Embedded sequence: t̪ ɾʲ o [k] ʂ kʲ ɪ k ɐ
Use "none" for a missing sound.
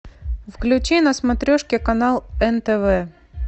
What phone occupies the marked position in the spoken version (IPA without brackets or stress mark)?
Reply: none